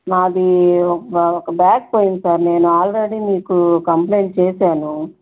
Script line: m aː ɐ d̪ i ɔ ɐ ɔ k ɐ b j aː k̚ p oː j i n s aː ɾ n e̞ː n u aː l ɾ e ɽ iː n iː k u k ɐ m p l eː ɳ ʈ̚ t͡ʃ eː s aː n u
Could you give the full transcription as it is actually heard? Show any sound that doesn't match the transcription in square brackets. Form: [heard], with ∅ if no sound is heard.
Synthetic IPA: [n] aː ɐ d̪ i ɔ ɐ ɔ k ɐ b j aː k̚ p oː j i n s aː ɾ n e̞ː n u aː l ɾ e ɽ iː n iː k u k ɐ m p l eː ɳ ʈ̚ t͡ʃ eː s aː n u

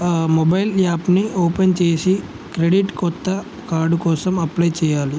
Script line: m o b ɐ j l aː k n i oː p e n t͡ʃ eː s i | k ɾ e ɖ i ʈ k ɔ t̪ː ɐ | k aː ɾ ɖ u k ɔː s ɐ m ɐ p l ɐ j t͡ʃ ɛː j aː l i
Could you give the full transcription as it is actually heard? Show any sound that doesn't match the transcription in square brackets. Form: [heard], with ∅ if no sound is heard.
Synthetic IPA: m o b ɐ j l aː [p] n i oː p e n t͡ʃ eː s i | k ɾ e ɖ i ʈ k ɔ t̪ː ɐ | k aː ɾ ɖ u k ɔː s ɐ m ɐ p l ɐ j t͡ʃ ɛː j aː l i

